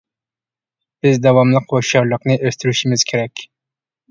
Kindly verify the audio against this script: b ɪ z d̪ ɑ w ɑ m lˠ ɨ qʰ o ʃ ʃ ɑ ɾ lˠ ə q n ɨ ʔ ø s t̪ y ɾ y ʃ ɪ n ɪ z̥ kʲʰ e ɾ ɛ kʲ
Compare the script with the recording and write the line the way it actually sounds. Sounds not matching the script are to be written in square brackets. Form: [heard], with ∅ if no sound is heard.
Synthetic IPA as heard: b ɪ z d̪ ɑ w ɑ m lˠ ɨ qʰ o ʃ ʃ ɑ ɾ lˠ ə q n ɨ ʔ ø s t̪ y ɾ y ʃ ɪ [m] ɪ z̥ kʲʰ e ɾ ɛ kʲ

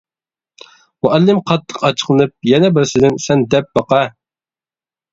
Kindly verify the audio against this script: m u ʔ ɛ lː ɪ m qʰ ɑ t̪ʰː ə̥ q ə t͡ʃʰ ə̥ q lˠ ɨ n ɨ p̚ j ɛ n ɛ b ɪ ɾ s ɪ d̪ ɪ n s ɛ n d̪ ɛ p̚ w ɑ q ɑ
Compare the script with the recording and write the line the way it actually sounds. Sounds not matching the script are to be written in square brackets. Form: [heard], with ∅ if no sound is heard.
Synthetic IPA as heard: m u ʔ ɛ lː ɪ m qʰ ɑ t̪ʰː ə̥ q [ɑ] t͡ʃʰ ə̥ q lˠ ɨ n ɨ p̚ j ɛ n ɛ b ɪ ɾ s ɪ d̪ ɪ n s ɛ n d̪ ɛ p̚ [b] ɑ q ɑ

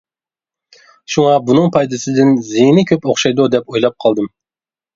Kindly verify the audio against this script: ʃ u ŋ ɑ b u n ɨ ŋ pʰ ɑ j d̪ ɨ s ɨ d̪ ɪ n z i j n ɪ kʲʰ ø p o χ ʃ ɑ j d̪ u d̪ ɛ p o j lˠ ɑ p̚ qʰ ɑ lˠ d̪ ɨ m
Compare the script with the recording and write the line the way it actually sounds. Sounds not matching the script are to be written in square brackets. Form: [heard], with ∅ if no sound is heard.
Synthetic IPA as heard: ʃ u ŋ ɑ b u n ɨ ŋ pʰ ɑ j d̪ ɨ s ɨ d̪ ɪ n z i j n ɪ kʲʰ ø p o χ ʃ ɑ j d̪ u d̪ ɛ p o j lˠ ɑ p̚ qʰ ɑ lˠ d̪ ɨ m

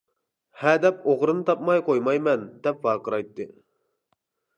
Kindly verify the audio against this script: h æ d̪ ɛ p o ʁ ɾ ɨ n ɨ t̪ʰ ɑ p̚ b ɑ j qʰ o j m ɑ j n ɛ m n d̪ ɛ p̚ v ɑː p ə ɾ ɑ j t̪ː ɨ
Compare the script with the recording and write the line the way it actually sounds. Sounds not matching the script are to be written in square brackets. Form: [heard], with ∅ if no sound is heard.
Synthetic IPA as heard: h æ d̪ ɛ p o ʁ ɾ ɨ n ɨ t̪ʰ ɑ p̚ [m] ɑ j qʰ o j m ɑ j [m] ɛ [∅] n d̪ ɛ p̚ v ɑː [q] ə ɾ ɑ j t̪ː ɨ

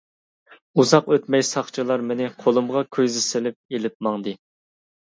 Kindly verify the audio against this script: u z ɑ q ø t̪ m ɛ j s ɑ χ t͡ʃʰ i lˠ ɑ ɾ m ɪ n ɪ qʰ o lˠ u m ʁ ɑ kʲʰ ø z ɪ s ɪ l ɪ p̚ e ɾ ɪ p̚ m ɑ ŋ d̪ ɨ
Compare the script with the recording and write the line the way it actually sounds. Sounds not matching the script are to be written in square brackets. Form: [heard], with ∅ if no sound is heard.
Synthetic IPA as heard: u z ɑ q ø t̪ m ɛ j s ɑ χ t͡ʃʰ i lˠ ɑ ɾ m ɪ n ɪ qʰ o lˠ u m ʁ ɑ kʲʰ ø z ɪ s ɪ l ɪ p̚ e [l] ɪ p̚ m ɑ ŋ d̪ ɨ

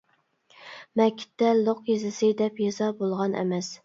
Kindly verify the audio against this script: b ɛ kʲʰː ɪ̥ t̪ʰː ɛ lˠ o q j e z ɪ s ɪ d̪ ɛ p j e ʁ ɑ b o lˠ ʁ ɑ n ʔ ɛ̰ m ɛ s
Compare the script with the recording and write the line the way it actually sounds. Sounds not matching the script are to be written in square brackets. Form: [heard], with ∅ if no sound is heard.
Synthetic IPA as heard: [m] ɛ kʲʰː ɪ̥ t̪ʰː ɛ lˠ o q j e z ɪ s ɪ d̪ ɛ p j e [z] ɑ b o lˠ ʁ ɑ n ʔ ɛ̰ m ɛ s

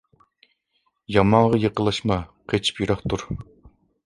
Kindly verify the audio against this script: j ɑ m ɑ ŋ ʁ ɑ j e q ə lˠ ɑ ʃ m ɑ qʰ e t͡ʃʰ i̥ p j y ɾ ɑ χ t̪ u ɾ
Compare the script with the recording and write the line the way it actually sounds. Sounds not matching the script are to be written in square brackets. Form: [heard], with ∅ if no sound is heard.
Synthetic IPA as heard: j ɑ m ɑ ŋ ʁ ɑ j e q ə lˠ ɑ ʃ m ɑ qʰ e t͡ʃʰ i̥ p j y ɾ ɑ χ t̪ u ɾ

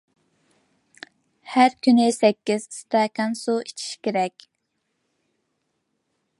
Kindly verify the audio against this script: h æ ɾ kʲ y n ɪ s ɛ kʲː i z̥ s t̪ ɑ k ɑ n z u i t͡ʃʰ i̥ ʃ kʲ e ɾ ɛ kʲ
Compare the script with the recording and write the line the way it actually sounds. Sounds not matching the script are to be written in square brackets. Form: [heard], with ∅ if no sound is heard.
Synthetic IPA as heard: h æ ɾ kʲ y n ɪ s ɛ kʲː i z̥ s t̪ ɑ k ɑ n [s] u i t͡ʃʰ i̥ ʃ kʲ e ɾ ɛ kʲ

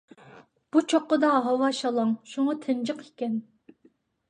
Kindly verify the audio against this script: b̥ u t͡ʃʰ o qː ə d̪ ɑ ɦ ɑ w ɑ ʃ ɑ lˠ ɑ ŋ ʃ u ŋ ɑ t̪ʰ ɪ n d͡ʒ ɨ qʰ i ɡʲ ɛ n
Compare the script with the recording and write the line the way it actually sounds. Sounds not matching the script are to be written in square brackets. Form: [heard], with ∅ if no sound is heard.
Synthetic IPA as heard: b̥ u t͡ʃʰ o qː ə d̪ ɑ ɦ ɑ w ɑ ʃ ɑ lˠ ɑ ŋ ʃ u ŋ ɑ t̪ʰ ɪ n d͡ʒ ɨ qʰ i [kʲ] ɛ n

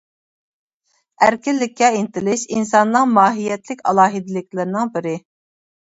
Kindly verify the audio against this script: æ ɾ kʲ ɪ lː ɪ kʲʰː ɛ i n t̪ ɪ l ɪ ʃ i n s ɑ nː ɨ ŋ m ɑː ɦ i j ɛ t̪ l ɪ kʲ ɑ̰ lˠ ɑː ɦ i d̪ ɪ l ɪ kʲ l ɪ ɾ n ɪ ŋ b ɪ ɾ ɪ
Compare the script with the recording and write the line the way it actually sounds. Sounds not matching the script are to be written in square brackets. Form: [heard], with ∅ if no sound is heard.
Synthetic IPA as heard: æ ɾ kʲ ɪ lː ɪ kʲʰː ɛ i n t̪ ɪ l ɪ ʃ i n s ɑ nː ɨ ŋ m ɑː ɦ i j ɛ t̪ l ɪ kʲ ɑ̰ lˠ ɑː ɦ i d̪ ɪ l ɪ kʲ l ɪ ɾ n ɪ ŋ b ɪ ɾ ɪ

